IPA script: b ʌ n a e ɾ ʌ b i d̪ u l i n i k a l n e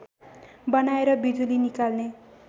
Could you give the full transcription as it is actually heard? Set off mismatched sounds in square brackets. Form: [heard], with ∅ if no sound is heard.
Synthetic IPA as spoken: b ʌ n a e ɾ ʌ b i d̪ u l i n i k a l n e